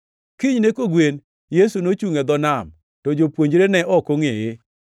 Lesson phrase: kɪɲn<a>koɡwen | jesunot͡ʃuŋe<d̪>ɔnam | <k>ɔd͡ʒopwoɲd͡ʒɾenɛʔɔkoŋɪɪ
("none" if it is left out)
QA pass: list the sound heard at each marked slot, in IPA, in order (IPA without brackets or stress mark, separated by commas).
e, d̪, t